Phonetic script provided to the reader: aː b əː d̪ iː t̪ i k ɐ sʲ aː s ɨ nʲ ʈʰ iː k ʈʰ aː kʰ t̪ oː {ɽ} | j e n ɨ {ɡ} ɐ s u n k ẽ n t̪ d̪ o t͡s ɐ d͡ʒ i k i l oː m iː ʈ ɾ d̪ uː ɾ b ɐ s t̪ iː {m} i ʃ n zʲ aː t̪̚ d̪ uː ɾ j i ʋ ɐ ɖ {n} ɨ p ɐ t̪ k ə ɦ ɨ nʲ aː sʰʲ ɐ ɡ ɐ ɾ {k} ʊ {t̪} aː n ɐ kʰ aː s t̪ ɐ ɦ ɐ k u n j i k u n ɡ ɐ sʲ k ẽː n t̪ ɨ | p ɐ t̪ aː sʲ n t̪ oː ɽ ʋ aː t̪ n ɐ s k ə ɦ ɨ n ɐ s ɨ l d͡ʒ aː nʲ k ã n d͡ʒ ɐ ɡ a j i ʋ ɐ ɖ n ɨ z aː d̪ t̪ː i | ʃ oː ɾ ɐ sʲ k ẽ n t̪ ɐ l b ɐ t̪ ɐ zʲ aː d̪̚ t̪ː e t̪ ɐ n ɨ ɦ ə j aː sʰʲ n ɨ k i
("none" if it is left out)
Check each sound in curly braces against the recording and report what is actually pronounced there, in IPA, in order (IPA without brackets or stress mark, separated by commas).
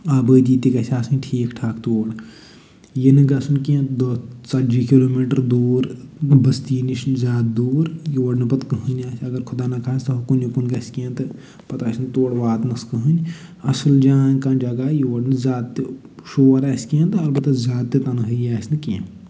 ɽ, ɡ, n, n, kʰ, d̪